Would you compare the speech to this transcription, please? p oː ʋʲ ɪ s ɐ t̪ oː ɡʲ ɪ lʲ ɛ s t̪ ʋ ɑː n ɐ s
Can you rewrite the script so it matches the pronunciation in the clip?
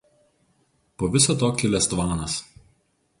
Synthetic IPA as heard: p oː ʋʲ ɪ s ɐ t̪ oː kʲ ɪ lʲ ɛ s t̪ ʋ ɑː n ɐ s